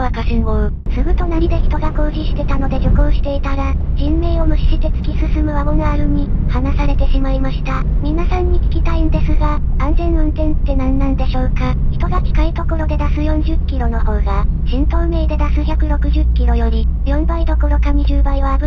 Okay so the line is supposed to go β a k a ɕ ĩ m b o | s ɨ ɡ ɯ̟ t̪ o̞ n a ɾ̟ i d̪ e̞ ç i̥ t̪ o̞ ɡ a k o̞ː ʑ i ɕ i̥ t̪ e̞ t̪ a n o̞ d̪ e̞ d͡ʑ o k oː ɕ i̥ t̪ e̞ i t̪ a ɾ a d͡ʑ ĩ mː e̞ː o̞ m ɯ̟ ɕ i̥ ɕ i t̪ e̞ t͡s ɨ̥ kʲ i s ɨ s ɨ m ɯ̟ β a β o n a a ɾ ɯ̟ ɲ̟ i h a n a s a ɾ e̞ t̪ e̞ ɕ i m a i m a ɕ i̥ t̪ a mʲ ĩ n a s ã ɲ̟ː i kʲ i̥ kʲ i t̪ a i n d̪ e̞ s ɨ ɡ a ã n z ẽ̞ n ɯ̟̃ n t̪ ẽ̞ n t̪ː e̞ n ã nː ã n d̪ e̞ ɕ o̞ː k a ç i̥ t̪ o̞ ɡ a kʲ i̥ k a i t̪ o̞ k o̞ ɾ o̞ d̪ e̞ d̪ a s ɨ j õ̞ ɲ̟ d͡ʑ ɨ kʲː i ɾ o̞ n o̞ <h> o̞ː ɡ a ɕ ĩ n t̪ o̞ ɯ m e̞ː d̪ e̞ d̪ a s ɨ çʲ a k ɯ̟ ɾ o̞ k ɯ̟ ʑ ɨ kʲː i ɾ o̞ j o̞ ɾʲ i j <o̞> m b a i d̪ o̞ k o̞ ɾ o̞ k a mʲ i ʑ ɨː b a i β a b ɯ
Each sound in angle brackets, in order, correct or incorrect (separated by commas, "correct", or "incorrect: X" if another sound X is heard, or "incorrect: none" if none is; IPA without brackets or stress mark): correct, incorrect: õ̞